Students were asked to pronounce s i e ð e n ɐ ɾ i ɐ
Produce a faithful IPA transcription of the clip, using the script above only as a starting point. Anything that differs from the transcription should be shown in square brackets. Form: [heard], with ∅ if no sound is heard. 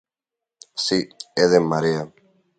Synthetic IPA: s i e ð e [m] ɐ ɾ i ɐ